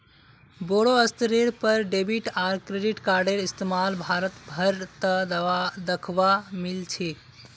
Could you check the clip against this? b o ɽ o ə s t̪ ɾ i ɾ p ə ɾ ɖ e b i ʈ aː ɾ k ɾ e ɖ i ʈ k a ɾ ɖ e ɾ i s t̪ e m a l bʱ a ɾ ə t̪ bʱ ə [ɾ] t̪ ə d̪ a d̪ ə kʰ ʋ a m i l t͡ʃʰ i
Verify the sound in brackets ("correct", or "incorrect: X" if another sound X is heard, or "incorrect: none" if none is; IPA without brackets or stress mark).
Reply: correct